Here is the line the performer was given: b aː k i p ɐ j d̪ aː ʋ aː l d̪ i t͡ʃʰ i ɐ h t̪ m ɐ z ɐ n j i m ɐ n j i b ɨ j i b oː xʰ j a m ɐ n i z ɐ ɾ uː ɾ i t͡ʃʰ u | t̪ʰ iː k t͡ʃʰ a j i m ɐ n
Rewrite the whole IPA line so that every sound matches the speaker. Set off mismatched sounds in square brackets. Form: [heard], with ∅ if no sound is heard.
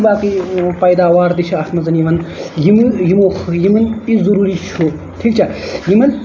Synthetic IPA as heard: b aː k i p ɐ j d̪ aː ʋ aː [ɾ] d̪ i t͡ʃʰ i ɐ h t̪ m ɐ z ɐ n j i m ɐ n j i [m] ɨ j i [m] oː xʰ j [i] m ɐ n i z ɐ ɾ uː ɾ i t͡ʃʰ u | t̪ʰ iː k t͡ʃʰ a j i m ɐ n